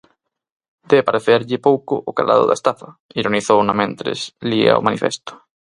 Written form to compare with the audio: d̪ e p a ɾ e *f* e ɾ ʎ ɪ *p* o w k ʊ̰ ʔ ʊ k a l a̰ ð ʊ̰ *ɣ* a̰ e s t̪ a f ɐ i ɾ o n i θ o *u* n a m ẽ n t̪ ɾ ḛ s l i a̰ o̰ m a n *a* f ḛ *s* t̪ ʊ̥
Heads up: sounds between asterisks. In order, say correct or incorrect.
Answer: incorrect, correct, incorrect, incorrect, incorrect, correct

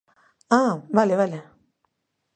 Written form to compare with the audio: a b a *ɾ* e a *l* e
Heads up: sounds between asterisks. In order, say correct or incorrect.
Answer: incorrect, correct

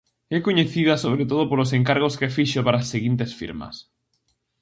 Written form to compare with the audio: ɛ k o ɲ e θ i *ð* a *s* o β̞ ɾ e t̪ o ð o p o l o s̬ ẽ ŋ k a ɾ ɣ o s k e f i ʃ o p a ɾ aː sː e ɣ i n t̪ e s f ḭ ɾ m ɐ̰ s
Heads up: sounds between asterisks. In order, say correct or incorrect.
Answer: correct, correct

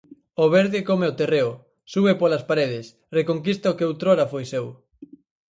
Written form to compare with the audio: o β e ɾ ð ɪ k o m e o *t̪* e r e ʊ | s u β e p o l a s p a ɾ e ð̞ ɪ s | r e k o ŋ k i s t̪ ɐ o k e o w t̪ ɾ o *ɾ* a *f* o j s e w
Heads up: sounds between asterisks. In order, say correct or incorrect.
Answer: correct, correct, correct

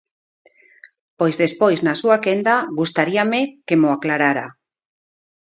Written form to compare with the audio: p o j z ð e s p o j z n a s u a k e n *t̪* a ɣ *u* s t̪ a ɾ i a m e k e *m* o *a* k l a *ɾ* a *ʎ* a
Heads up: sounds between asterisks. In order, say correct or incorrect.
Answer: incorrect, correct, correct, correct, correct, incorrect

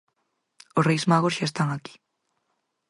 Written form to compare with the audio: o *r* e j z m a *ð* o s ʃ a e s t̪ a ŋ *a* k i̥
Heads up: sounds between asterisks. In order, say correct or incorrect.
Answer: correct, incorrect, correct

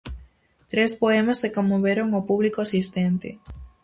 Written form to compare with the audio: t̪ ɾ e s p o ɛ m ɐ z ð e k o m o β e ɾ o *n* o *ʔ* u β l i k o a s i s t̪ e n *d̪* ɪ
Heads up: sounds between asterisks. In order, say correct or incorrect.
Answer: incorrect, incorrect, incorrect

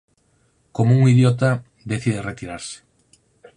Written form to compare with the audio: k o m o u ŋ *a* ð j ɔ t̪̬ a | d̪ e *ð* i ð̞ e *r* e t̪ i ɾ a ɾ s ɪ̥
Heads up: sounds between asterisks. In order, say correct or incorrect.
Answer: incorrect, incorrect, correct

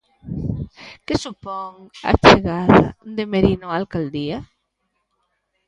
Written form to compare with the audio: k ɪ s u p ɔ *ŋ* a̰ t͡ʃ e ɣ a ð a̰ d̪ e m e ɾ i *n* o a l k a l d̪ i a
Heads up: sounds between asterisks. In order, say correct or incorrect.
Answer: correct, correct

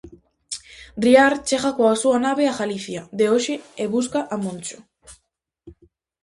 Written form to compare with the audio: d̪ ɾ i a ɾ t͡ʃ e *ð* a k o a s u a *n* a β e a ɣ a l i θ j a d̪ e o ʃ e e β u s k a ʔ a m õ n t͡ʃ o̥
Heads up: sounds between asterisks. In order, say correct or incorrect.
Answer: incorrect, correct

